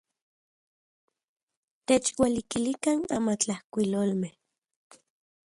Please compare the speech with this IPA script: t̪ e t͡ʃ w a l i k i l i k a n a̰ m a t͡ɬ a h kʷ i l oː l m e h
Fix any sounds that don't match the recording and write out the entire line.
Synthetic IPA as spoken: t̪ e t͡ʃ w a l i k i l i k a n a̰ m a t͡ɬ a h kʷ i l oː l m e h